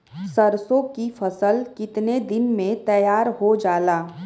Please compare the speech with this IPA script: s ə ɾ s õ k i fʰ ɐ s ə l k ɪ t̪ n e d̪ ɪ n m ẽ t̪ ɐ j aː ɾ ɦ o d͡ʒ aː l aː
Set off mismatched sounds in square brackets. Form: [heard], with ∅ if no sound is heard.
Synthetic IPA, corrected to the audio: s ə ɾ s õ k i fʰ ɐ s ə l k ɪ t̪ n e d̪ ɪ n m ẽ t̪ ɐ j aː ɾ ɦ o d͡ʒ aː l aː